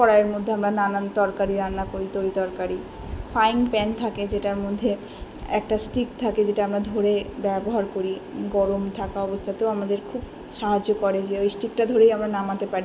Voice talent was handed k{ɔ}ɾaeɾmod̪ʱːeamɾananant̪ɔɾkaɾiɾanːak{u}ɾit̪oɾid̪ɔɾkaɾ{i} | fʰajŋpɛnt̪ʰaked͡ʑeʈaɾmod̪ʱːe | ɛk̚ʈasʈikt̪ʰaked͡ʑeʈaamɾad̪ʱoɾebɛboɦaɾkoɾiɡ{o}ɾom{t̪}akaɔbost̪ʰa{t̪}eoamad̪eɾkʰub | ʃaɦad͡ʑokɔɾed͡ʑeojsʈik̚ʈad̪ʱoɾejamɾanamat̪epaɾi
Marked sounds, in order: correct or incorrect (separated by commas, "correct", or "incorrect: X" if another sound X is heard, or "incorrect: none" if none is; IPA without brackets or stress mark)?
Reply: correct, incorrect: o, correct, incorrect: ɔ, incorrect: t̪ʰ, correct